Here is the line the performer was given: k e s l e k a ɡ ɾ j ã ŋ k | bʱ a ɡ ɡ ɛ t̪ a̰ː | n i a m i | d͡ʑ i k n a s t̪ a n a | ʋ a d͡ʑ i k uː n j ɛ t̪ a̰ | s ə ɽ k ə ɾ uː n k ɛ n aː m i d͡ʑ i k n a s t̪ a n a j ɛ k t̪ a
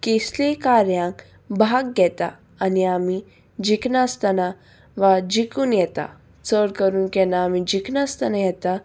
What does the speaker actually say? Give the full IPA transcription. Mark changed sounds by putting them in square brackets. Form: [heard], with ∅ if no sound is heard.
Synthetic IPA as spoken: k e s l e k a [∅] ɾ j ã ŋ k | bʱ a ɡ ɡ ɛ t̪ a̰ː | n i a m i | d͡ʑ i k n a s t̪ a n a | ʋ a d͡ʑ i k uː n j ɛ t̪ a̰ | [t͡s] ə ɽ k ə ɾ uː n k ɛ n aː m i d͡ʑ i k n a s t̪ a n a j ɛ [∅] t̪ a